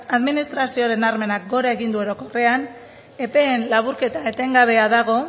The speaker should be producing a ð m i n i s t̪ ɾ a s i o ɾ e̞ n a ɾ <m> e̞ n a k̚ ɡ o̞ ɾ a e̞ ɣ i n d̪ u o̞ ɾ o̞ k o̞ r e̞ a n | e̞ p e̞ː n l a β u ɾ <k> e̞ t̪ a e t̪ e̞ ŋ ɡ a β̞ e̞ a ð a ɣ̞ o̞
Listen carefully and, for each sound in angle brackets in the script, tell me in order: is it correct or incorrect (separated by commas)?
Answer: correct, correct